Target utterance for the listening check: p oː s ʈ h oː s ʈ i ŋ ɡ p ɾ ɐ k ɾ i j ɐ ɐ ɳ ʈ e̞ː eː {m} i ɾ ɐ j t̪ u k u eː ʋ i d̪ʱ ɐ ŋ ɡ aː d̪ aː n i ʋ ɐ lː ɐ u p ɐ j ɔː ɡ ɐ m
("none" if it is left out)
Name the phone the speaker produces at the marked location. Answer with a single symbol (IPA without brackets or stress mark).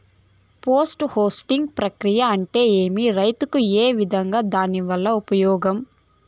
m